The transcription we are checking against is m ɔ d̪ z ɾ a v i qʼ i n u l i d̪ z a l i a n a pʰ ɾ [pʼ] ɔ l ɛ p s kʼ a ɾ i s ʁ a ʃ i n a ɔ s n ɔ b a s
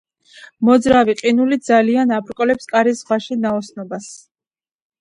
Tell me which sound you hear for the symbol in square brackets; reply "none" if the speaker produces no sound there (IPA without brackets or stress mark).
kʼ